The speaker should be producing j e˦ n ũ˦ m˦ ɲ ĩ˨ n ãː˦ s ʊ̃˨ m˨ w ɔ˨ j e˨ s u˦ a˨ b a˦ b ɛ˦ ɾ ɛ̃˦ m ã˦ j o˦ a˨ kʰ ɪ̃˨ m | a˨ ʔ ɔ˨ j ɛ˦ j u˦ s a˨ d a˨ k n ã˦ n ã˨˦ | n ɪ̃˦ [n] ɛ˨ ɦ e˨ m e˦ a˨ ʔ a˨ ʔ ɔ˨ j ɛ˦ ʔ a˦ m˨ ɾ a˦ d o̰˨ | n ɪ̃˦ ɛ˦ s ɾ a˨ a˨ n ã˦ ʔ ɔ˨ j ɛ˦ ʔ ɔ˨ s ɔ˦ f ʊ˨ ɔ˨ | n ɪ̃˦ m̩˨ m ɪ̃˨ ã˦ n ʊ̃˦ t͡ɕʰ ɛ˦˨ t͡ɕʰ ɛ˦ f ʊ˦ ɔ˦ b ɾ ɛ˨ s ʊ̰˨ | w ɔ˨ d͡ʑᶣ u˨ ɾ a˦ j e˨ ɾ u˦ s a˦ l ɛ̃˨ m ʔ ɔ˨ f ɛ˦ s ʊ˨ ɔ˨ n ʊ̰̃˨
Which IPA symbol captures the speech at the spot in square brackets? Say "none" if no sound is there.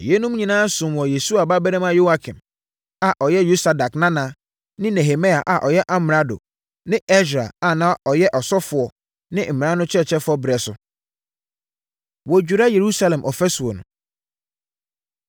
n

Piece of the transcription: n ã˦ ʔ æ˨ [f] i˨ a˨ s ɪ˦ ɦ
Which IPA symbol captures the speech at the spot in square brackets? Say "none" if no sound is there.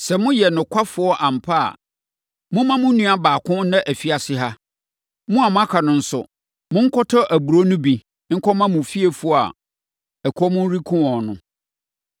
f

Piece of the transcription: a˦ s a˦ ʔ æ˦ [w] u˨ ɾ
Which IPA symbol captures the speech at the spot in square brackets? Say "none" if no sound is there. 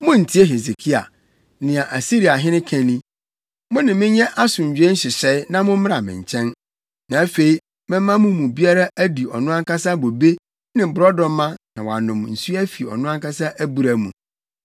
b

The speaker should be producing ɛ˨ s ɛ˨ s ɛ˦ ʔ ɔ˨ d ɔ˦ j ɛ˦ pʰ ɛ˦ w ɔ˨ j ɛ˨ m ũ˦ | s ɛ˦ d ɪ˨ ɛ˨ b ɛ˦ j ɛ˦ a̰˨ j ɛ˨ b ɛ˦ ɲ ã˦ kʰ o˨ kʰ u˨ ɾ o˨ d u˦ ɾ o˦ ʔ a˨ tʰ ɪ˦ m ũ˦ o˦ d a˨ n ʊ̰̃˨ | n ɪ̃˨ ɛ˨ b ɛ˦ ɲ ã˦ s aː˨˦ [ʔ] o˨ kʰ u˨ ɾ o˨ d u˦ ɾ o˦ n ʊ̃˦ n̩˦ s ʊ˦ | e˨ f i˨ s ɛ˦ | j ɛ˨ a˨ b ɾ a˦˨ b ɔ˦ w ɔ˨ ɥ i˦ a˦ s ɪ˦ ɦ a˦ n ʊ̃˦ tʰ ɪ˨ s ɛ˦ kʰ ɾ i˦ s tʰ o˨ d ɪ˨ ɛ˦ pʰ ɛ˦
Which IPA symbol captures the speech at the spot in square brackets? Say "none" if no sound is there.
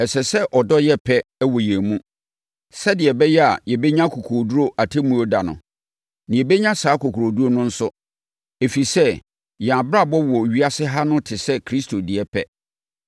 k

